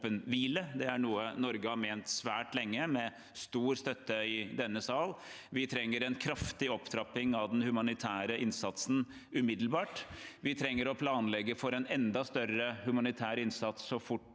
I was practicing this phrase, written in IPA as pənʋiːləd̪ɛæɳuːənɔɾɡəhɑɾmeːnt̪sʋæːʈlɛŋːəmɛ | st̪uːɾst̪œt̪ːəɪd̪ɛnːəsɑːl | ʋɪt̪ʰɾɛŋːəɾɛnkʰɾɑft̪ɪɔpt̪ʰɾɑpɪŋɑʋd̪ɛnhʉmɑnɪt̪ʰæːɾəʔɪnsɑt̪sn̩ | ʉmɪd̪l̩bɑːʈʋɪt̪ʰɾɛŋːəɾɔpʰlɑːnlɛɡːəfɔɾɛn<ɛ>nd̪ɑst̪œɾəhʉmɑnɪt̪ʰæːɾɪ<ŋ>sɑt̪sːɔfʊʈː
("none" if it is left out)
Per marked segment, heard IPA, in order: ɛ, n

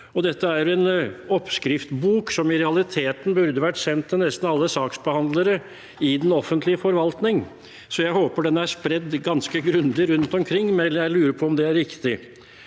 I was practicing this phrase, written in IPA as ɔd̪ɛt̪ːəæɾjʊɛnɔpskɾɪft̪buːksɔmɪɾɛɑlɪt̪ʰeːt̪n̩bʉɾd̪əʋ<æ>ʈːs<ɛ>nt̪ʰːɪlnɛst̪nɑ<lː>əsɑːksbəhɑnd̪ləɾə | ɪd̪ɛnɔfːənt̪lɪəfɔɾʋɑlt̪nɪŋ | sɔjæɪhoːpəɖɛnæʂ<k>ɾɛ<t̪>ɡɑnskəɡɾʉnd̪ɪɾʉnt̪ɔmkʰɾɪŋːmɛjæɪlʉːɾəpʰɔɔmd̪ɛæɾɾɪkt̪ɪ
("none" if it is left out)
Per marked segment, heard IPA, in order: æ, ɛ, lː, p, d̪

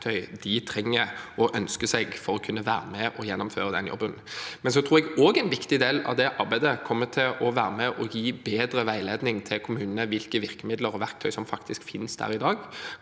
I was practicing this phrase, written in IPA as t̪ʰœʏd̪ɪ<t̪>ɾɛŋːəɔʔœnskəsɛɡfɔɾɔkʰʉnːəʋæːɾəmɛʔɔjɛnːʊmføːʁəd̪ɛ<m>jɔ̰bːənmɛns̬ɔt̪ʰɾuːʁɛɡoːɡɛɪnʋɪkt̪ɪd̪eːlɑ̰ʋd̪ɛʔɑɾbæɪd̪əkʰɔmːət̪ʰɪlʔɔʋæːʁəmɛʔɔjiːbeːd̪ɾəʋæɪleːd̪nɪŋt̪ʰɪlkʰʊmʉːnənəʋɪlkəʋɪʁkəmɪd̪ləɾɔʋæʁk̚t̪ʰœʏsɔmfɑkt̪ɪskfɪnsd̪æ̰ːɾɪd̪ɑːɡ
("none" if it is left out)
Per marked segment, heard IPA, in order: t̪ʰ, n

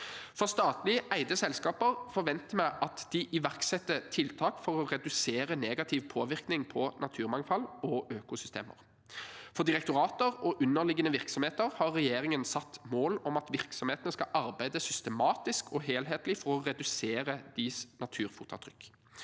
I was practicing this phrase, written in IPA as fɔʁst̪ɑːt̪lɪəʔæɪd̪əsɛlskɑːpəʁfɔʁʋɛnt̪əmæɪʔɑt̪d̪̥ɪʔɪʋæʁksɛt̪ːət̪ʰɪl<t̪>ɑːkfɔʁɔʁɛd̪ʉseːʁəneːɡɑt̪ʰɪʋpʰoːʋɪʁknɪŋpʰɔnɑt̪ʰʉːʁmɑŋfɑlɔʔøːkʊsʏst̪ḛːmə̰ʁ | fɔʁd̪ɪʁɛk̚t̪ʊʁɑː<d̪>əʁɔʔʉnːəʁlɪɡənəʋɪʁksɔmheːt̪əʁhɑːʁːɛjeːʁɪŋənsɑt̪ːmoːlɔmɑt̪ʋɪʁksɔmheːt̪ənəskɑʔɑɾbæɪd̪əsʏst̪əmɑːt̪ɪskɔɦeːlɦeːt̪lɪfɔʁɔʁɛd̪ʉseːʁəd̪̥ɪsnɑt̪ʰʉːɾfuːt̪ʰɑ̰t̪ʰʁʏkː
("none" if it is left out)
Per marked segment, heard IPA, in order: t̪ʰ, t̪

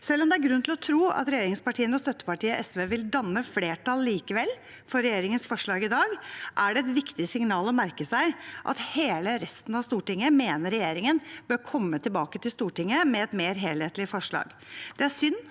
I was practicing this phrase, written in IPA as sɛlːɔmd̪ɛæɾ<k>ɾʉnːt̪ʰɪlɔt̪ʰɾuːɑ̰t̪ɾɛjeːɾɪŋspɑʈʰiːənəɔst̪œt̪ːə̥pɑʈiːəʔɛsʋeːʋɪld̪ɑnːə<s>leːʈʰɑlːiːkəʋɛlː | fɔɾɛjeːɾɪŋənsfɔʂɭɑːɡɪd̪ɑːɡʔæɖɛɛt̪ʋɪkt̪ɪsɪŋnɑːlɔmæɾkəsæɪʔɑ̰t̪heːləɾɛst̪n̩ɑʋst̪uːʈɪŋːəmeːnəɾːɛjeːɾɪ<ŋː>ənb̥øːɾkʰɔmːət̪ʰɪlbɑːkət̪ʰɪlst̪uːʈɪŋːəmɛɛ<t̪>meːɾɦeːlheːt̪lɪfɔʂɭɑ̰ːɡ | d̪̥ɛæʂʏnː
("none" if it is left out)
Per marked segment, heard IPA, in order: ɡ, f, ŋ, t̪

